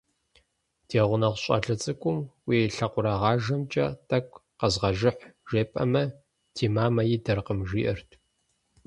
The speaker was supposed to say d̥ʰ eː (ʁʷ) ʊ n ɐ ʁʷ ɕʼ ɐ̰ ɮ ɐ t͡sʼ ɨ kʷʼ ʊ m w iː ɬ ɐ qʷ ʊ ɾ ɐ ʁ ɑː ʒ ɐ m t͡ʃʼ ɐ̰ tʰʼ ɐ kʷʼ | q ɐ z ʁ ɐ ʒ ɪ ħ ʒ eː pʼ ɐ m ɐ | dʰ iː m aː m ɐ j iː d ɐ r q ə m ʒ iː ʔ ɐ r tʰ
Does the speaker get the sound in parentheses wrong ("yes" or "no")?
no